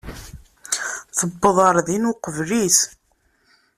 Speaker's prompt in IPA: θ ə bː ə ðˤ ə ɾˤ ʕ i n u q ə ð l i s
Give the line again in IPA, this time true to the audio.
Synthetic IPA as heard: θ ə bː ə ðˤ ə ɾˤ ð i n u q ə v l i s